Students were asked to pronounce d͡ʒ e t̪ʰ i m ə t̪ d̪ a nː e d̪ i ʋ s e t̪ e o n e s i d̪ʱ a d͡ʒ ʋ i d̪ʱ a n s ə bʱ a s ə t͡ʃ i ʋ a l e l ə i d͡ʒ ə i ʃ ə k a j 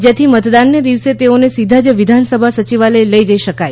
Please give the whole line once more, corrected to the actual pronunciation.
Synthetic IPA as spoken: d͡ʒ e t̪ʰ i m ə t̪ d̪ a nː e d̪ i ʋ s e t̪ e o n e s i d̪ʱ a d͡ʒ ʋ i d̪ʱ a n s ə bʱ a s ə t͡ʃ i ʋ a l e l ə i d͡ʒ ə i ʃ ə k a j